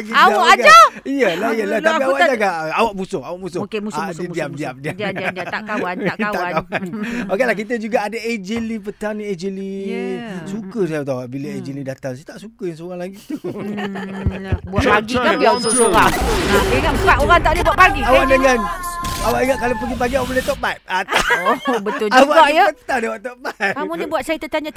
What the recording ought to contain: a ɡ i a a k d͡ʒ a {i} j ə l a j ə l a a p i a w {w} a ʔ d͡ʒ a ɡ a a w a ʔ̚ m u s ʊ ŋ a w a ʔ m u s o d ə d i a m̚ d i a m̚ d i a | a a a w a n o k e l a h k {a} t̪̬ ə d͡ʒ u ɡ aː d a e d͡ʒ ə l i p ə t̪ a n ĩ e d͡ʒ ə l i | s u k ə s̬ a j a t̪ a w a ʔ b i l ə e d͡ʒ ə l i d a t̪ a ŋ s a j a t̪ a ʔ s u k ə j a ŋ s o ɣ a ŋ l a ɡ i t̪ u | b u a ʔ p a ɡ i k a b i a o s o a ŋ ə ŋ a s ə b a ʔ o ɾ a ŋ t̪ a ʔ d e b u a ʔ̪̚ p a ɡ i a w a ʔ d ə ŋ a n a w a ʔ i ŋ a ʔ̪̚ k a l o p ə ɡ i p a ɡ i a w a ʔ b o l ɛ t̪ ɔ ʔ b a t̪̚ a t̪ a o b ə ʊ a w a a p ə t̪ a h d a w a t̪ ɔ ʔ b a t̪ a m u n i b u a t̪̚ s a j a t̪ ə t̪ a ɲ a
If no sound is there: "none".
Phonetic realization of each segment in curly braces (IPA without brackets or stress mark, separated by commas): i, w, i